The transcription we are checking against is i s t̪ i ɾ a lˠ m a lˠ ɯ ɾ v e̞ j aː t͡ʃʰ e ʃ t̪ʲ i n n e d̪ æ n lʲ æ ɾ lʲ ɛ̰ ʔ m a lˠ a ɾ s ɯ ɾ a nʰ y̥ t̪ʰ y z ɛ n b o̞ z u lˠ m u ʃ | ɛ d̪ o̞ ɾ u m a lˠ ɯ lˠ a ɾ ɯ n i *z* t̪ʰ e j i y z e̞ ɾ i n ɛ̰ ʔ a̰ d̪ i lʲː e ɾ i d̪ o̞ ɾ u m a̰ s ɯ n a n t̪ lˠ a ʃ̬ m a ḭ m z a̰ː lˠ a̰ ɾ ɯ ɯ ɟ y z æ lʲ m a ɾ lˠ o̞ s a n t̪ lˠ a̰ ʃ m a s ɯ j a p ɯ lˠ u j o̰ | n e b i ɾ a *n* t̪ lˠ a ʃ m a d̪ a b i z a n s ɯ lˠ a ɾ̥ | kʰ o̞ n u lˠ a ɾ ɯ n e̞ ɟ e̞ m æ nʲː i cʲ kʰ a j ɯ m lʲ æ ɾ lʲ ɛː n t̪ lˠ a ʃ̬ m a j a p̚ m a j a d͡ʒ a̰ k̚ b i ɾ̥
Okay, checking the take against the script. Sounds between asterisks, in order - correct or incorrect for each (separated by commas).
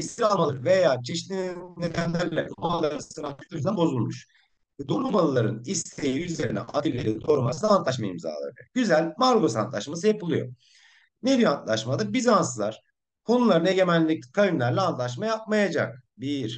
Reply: incorrect, correct